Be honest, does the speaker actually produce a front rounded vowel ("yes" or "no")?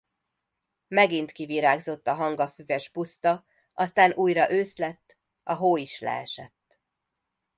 yes